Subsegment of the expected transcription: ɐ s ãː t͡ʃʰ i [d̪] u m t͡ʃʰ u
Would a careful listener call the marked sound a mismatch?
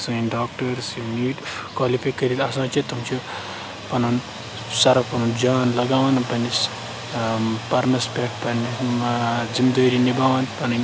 yes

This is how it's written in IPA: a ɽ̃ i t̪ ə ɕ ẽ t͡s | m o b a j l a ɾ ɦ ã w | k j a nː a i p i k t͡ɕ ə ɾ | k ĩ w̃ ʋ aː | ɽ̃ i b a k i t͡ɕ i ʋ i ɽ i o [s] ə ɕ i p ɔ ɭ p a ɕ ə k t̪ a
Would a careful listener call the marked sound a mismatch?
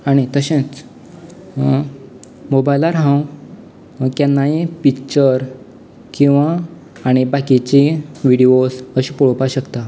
no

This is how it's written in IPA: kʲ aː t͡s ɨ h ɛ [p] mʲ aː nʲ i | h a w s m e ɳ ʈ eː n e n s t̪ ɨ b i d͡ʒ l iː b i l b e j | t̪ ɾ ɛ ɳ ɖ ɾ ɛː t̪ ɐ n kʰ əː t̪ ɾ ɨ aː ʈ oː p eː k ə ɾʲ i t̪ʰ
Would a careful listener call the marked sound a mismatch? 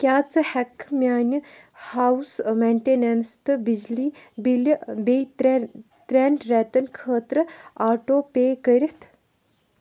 yes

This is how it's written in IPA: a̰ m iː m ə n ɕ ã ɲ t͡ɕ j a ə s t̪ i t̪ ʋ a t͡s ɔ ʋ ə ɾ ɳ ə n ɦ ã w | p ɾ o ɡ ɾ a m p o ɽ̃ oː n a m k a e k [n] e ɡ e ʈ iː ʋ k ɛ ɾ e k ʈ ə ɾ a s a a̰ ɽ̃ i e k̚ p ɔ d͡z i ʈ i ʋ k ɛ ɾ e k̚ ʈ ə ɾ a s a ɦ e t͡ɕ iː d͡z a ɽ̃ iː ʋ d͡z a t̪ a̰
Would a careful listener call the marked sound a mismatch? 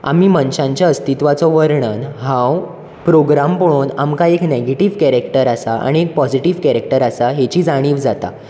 no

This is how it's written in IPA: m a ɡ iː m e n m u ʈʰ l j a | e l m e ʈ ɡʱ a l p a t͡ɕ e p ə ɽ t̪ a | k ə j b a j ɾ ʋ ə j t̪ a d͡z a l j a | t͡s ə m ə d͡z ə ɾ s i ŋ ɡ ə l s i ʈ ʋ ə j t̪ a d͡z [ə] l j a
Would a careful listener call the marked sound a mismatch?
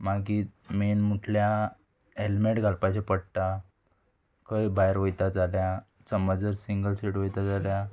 yes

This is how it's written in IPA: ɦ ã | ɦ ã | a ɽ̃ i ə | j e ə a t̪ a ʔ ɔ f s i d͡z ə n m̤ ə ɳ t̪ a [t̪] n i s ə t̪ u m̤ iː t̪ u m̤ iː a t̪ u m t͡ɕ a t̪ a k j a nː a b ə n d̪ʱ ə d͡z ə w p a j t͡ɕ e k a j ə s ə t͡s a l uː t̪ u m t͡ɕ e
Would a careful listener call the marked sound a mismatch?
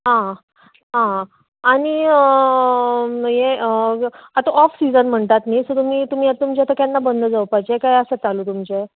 no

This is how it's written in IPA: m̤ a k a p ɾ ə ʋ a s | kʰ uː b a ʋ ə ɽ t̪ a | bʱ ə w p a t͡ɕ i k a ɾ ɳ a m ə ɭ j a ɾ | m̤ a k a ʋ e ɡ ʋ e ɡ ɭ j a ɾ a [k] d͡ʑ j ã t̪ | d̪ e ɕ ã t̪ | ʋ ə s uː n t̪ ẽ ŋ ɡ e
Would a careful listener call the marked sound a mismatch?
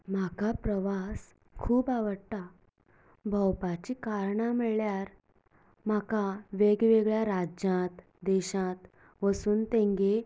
yes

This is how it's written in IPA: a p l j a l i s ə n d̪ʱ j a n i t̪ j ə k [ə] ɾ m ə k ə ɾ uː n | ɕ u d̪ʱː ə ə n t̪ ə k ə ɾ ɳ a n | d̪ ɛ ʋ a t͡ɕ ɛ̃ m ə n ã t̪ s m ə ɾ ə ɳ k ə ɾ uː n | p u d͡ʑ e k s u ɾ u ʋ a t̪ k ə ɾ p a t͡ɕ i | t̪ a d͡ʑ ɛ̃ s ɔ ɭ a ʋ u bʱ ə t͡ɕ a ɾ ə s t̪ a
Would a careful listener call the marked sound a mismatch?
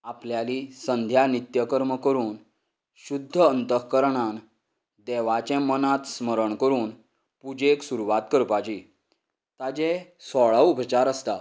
no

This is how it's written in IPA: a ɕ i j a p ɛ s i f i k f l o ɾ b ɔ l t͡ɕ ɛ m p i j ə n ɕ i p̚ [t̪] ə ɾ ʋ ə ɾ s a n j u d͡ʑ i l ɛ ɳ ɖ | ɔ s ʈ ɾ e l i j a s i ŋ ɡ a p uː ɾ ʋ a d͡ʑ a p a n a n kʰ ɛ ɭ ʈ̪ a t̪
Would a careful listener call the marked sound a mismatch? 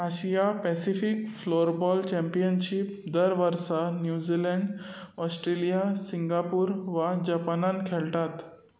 yes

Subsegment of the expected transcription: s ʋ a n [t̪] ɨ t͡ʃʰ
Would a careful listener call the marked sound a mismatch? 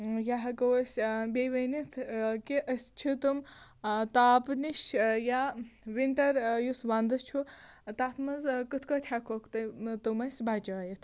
yes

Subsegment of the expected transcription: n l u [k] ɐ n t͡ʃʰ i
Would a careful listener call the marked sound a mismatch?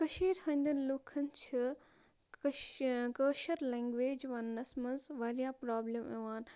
yes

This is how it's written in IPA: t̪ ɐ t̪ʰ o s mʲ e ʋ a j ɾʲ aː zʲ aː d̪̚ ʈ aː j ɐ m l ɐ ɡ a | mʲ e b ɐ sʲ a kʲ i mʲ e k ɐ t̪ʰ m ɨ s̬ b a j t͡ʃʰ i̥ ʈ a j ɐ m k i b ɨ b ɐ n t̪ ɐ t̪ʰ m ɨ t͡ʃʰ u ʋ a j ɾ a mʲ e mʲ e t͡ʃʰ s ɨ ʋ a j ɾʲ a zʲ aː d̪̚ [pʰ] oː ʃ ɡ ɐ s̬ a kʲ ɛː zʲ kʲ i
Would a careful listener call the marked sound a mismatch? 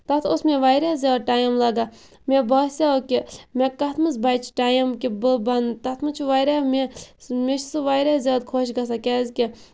yes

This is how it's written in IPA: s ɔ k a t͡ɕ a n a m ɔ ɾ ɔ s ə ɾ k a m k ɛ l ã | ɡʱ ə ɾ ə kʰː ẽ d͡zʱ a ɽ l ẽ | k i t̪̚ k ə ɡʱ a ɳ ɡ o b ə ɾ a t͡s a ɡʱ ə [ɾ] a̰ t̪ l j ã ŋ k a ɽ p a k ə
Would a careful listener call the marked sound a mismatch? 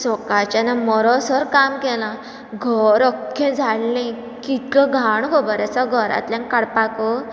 no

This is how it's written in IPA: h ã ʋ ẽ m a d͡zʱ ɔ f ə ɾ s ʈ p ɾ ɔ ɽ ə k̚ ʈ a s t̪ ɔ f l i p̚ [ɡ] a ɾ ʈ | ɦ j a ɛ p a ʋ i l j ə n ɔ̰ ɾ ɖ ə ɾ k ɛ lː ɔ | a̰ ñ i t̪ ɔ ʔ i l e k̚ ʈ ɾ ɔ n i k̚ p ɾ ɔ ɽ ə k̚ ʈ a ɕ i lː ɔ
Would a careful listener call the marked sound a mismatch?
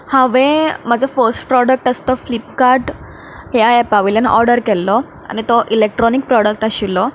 yes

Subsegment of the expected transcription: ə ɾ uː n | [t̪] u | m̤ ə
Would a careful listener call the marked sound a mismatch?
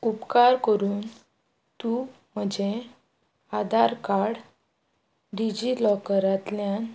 no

